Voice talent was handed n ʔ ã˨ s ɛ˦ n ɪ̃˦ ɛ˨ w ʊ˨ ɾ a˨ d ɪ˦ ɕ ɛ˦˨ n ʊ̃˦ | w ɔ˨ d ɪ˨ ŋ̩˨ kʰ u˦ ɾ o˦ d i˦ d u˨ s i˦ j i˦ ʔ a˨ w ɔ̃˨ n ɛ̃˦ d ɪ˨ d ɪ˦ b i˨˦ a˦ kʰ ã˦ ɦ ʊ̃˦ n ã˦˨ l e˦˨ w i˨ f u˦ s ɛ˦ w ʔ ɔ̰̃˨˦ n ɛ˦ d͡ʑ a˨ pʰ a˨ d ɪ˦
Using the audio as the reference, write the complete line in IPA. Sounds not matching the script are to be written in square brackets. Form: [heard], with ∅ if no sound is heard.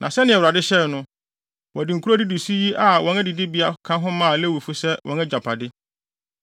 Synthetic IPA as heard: n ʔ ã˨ s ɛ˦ n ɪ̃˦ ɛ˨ w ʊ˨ ɾ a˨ d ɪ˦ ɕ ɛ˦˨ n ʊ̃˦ | w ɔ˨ d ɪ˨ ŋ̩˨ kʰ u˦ ɾ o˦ d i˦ d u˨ s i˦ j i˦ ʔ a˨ w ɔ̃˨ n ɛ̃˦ d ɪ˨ d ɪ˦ b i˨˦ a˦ kʰ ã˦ ɦ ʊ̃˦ [m] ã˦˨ l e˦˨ w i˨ f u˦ s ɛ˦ w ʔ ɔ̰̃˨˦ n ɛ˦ d͡ʑ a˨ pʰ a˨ d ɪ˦

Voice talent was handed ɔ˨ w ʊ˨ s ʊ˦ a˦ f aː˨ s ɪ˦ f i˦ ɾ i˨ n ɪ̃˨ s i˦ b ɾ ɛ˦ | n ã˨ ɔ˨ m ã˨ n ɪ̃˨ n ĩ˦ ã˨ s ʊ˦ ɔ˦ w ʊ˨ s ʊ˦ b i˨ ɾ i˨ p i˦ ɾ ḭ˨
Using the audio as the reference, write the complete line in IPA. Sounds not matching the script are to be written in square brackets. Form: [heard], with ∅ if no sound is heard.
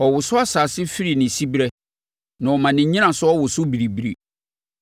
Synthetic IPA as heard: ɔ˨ w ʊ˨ s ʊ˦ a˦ [s] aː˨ s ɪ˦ f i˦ ɾ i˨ n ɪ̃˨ s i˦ b ɾ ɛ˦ | n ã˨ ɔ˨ m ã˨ n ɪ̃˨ [ɲ] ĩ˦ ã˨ s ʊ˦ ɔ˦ w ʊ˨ s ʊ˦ b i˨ ɾ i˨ [b] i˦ ɾ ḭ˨

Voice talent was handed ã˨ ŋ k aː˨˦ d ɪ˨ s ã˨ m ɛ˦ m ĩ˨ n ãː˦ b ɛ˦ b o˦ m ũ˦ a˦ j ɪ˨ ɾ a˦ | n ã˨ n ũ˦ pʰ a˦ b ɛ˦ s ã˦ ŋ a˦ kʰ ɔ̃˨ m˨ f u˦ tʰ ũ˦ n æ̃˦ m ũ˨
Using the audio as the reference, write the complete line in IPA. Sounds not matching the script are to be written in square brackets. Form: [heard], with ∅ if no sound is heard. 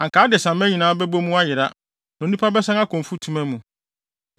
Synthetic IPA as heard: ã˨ ŋ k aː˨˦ d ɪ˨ s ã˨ m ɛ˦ [ɲ] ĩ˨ n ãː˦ b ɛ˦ b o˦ m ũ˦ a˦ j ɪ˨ ɾ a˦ | n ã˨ n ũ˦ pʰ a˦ b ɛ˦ s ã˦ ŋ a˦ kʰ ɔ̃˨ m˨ f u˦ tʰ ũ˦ [m] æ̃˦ m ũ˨

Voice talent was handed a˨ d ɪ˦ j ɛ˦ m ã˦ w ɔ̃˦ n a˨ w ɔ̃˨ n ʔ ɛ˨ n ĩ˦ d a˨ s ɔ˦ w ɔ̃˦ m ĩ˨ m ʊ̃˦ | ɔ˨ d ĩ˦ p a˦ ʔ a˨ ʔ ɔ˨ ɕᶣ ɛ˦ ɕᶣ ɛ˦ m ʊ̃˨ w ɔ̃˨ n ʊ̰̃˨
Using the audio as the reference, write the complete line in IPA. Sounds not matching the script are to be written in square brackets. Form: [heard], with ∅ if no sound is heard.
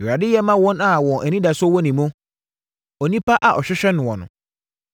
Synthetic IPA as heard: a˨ d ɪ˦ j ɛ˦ m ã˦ w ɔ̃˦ n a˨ w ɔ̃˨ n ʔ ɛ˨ n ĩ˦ d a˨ s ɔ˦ w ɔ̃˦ [n] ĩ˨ m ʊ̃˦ | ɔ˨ [n] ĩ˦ p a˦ ʔ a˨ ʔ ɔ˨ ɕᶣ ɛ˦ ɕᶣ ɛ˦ [n] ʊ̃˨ w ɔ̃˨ n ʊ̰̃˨

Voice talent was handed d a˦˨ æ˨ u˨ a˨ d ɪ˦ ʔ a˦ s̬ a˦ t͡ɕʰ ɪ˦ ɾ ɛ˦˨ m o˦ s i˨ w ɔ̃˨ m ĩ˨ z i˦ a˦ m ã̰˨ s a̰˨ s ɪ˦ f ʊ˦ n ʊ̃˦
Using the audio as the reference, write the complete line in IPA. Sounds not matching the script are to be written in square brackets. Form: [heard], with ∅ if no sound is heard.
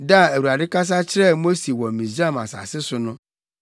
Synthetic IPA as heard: d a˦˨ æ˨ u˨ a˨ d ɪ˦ [k] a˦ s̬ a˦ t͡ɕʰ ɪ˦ ɾ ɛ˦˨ m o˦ s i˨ w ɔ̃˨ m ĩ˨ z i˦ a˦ m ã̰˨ s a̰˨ s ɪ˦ [s] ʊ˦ n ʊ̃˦

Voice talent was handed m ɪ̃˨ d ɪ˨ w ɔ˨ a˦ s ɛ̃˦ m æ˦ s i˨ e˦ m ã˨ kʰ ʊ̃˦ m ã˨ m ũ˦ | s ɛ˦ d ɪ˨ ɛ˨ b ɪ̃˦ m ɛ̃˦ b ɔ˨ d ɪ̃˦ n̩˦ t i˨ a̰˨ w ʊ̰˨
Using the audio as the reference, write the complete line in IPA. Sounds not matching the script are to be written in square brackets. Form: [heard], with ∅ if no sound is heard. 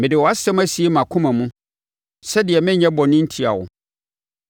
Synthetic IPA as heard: m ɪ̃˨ d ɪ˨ w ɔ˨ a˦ s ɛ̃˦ m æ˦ s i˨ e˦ m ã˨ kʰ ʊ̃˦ m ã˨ m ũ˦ | s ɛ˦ d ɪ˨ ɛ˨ [m] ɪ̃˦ [ɲ] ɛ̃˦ b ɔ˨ [n] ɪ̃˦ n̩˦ [tʰ] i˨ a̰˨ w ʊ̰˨

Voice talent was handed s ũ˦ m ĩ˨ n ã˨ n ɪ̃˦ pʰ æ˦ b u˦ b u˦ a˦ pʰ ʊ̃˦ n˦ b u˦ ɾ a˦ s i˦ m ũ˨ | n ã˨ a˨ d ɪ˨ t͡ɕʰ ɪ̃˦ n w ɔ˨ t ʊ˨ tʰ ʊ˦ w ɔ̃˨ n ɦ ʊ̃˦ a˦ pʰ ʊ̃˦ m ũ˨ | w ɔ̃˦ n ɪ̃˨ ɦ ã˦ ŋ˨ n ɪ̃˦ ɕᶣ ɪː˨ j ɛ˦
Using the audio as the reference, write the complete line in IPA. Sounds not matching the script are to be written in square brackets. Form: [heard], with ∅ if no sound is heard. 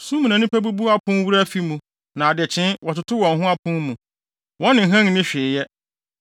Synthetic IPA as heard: s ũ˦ m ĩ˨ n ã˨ n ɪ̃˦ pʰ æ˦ b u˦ b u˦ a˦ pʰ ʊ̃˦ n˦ [w] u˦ ɾ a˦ [f] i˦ m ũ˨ | n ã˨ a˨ d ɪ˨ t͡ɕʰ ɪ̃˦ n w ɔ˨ t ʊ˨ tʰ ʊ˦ w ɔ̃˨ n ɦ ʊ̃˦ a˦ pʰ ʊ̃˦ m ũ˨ | w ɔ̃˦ n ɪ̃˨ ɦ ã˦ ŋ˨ n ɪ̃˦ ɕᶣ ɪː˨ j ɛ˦

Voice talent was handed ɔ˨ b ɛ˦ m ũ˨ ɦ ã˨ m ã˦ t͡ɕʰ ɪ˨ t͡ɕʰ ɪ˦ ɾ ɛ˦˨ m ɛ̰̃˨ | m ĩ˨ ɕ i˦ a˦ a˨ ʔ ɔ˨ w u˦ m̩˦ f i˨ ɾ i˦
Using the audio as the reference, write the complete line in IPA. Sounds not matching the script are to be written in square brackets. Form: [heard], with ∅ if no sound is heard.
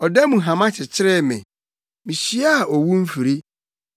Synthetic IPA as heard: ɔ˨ [d] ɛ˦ m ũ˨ ɦ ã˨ m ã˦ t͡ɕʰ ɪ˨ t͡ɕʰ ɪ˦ ɾ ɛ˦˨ m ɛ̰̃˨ | m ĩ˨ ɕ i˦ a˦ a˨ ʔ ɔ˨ w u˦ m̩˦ f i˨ ɾ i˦

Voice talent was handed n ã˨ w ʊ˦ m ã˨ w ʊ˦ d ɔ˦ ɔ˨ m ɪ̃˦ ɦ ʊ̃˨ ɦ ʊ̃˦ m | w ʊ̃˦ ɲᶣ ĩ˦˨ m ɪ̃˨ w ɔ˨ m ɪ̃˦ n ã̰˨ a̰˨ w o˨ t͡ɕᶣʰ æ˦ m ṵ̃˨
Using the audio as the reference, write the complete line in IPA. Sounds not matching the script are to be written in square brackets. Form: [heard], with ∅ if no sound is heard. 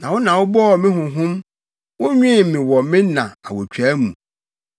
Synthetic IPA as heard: n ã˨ w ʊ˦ [n] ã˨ w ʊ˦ [b] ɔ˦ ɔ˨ m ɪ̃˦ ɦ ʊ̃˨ ɦ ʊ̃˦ m | w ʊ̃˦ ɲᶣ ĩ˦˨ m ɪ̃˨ w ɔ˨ m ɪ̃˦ n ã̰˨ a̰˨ w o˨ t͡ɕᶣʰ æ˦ m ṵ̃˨

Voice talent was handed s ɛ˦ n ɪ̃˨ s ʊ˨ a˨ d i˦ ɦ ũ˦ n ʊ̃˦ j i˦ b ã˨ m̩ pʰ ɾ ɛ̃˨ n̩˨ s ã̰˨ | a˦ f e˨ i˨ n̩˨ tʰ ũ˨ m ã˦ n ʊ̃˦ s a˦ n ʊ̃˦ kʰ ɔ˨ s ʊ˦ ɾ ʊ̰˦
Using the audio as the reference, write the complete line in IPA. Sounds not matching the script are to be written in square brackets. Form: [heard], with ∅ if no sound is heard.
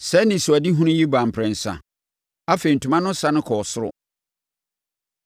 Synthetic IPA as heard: s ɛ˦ n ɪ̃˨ s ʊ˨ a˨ d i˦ ɦ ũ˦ n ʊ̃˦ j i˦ b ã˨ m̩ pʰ ɾ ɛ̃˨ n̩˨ s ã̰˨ | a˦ f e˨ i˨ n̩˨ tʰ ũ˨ m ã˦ n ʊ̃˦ s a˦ n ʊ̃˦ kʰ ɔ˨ s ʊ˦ ɾ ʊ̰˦

